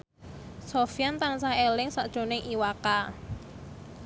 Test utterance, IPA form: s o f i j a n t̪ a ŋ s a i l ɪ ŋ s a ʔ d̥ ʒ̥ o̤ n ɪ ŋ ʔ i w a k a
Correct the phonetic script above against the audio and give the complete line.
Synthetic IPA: s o f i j a n t̪ a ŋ s a e l ɪ ŋ s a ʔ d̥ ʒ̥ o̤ n ɪ ŋ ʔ i w a k a